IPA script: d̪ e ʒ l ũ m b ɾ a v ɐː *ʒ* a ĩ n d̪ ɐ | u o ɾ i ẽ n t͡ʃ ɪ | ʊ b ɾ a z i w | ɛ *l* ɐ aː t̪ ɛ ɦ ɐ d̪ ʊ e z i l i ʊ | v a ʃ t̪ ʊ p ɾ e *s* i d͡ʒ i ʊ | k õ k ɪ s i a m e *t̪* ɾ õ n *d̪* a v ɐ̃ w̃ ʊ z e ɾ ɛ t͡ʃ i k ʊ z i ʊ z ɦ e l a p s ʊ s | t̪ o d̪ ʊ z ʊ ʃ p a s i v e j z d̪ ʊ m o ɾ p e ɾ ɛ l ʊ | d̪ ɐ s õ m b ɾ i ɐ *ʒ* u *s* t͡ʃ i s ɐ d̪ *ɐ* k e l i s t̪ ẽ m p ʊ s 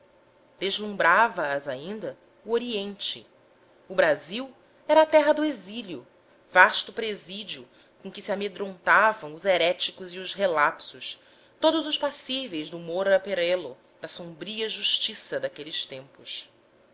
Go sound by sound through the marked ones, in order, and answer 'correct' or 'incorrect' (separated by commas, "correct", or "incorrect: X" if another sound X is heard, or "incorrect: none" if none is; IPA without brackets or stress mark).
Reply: incorrect: z, incorrect: ɾ, incorrect: z, incorrect: d̪, incorrect: t̪, correct, incorrect: ʃ, incorrect: a